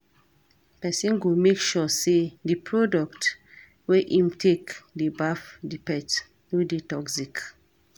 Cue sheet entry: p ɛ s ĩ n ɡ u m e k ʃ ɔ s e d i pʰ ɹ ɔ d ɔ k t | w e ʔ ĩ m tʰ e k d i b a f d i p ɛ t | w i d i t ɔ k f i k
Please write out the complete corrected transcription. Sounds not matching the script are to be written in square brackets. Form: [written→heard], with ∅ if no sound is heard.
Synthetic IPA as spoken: p ɛ s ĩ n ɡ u m e k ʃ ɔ s e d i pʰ ɹ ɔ d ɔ k t | w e ʔ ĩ m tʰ e k d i b a f d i p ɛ t | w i d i t ɔ k [f→s] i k